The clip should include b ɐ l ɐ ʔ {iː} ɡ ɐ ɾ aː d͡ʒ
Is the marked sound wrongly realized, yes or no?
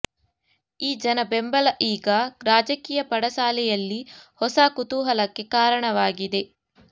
no